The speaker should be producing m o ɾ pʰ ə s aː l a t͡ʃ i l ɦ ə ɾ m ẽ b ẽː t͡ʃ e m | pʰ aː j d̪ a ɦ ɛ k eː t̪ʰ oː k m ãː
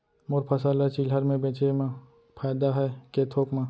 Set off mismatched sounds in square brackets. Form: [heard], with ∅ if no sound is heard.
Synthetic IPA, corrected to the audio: m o ɾ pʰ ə s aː l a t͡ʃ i l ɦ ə ɾ m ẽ b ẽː t͡ʃ e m | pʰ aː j d̪ a ɦ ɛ k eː t̪ʰ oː k m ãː